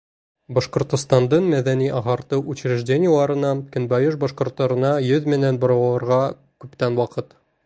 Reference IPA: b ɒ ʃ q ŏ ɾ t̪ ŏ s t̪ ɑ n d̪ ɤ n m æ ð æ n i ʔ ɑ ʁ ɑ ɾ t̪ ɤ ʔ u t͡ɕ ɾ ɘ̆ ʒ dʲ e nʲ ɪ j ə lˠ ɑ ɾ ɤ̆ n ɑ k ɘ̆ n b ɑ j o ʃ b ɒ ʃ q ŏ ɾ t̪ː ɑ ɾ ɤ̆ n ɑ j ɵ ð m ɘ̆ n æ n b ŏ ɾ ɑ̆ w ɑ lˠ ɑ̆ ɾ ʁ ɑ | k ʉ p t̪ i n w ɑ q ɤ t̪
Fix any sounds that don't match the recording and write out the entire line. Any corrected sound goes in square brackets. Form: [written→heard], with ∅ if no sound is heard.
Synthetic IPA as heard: b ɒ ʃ q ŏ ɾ t̪ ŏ s t̪ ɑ n d̪ ɤ [n→ɴ] m æ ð æ n i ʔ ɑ ʁ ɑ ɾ t̪ ɤ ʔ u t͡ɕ ɾ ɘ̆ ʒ dʲ e nʲ ɪ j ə lˠ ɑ ɾ ɤ̆ n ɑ k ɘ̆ n b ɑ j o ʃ b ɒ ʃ q ŏ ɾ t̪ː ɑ ɾ ɤ̆ n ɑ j ɵ ð m ɘ̆ n æ n b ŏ ɾ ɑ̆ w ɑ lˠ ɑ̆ ɾ ʁ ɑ | k ʉ p t̪ [i→æ] n w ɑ q ɤ t̪